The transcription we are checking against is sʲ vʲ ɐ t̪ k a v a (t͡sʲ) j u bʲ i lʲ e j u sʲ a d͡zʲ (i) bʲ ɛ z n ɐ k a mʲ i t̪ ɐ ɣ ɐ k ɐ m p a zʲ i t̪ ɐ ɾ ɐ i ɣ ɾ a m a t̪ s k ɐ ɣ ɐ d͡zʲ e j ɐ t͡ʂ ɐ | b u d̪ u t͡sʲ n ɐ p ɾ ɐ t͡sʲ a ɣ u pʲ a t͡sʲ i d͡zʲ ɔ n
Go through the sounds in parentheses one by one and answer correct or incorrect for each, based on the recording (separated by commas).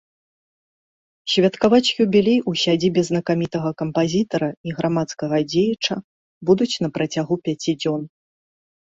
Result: correct, correct